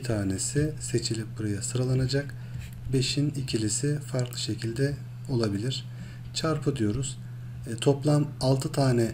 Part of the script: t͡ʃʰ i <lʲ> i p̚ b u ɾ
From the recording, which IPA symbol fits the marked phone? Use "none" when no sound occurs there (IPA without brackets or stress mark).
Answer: lʲ